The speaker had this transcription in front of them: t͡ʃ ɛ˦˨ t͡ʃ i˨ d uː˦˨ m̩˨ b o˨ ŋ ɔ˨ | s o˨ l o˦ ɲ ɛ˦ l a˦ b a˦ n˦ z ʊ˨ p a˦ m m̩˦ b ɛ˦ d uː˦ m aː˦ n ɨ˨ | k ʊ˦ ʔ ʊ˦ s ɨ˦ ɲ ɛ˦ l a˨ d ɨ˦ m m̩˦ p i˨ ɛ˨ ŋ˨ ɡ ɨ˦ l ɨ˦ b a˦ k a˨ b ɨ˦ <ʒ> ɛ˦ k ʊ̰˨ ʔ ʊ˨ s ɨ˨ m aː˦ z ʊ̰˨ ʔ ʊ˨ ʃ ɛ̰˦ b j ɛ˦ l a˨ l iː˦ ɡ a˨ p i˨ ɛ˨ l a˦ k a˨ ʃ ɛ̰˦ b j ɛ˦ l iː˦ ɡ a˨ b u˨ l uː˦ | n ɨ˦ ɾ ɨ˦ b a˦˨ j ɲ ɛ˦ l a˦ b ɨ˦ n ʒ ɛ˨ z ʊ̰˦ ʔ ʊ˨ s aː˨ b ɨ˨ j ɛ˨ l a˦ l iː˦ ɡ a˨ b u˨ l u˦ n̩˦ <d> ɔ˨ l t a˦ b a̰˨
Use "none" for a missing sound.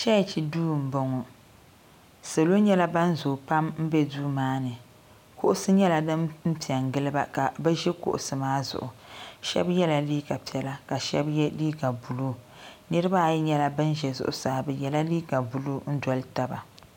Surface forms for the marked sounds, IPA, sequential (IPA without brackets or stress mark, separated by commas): ʒ, d